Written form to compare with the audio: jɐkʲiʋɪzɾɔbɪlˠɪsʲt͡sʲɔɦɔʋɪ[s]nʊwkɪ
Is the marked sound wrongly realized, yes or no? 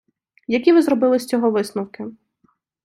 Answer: no